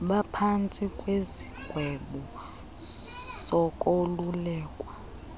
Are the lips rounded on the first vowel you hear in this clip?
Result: no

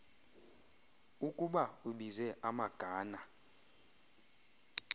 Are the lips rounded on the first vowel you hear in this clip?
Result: yes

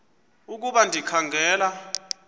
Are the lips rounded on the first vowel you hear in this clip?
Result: yes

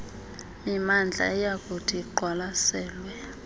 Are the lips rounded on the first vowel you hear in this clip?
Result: no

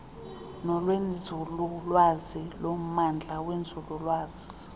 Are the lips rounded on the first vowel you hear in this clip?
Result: yes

